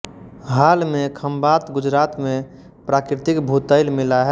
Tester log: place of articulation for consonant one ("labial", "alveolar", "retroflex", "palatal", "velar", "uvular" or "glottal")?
glottal